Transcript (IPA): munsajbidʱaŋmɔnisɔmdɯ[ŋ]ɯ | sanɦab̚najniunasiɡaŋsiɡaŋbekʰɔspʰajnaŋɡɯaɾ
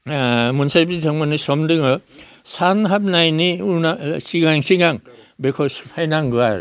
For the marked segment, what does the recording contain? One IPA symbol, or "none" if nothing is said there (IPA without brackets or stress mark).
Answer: ŋ